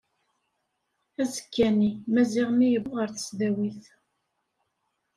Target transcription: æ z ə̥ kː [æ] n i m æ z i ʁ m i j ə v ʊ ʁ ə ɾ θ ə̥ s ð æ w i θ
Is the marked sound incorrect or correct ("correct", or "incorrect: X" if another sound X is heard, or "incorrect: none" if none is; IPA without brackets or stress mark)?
correct